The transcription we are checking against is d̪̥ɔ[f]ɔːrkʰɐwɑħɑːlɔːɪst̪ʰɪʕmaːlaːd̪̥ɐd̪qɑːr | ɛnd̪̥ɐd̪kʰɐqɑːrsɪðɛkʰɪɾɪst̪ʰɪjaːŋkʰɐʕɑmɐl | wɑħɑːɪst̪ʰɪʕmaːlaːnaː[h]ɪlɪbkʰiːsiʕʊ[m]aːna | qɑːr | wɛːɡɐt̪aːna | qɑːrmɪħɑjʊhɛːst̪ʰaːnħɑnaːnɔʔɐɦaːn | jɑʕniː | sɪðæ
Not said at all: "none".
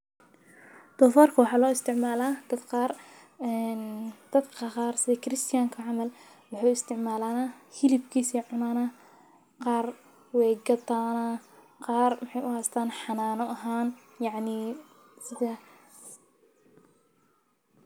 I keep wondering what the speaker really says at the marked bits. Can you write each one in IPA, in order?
f, h, n

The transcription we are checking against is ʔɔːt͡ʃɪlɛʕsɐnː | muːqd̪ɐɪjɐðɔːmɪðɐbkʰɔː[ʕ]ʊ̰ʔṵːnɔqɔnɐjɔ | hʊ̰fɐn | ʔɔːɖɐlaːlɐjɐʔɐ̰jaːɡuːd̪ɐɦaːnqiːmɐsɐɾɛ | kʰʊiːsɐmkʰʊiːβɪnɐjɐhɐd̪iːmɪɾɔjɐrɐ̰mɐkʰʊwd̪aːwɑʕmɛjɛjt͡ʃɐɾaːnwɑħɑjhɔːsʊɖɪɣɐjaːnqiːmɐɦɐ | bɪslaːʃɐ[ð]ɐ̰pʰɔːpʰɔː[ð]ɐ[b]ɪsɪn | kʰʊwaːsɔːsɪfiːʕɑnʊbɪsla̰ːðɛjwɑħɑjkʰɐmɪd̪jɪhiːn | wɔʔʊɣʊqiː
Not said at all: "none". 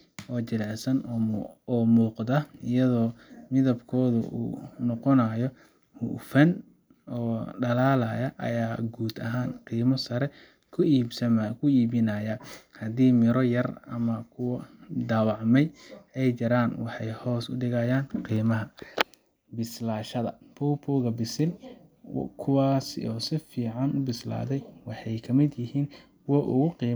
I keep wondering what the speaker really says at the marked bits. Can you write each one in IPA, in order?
ð, ð, ɣ, b

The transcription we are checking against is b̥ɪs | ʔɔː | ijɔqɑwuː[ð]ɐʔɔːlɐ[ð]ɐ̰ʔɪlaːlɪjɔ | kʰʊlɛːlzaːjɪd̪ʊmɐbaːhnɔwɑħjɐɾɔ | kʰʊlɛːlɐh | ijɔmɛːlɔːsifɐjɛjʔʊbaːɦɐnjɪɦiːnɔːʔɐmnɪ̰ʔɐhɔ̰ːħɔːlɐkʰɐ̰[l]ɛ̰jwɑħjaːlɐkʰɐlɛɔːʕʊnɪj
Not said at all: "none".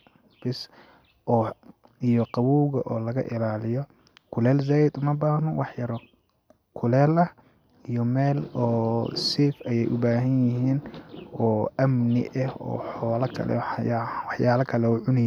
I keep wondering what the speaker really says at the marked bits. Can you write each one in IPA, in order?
ɣ, ɣ, l

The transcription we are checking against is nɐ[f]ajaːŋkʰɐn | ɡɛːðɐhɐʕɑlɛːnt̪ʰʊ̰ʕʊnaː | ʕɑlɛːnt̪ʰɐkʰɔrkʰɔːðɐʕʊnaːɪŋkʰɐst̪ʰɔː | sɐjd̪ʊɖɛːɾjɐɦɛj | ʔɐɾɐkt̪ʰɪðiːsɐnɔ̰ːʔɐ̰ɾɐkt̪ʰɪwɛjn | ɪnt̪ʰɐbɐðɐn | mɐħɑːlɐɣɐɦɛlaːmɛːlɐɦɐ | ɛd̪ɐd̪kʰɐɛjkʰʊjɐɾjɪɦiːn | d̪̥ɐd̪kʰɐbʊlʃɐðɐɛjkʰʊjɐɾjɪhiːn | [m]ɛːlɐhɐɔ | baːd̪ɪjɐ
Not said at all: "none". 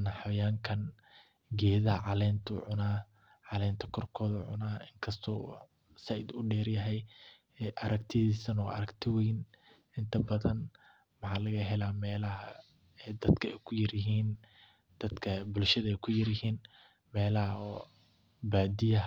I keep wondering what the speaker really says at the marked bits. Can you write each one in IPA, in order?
ħ, m

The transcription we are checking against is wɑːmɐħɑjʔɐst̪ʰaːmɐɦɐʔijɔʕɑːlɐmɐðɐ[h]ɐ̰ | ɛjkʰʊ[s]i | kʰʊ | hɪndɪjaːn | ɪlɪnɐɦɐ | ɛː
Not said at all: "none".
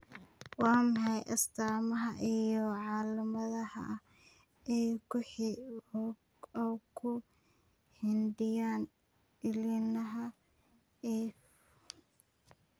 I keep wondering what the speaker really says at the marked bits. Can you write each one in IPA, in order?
h, ħ

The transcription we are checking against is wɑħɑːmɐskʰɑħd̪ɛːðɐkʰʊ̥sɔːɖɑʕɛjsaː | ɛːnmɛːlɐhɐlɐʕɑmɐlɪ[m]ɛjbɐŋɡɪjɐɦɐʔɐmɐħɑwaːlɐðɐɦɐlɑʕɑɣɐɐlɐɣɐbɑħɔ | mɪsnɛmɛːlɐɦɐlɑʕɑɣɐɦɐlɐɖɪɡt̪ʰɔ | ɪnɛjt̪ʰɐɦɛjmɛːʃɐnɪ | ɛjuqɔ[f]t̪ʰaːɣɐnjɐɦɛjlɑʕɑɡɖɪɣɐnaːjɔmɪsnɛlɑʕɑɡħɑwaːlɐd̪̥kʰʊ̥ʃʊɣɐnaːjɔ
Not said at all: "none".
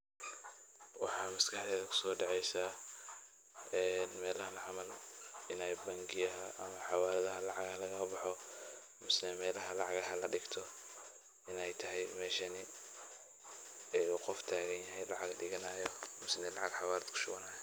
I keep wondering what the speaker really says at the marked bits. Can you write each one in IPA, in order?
n, f

